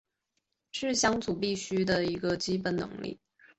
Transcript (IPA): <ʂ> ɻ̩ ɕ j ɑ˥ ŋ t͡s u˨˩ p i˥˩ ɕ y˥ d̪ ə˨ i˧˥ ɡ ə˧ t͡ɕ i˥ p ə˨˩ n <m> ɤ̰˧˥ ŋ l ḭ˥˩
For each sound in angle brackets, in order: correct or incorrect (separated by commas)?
correct, incorrect